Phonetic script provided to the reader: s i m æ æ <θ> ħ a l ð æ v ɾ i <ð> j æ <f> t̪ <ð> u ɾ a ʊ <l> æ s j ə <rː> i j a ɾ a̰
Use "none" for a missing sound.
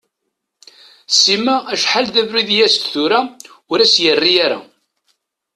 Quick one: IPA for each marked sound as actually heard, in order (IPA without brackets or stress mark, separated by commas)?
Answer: ʃ, ð, s, θ, ɾ, rː